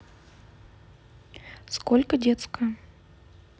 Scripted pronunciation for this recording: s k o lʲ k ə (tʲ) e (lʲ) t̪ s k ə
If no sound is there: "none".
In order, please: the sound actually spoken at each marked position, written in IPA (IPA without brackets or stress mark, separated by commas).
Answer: dʲ, none